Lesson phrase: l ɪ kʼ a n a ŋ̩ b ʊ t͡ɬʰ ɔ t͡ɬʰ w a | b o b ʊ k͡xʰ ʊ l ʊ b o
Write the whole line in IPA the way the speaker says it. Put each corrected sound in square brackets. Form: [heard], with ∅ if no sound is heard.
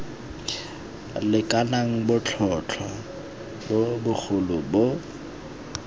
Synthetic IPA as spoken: l ɪ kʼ a n a ŋ̩ b ʊ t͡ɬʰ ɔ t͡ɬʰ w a | b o b ʊ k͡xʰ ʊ l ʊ b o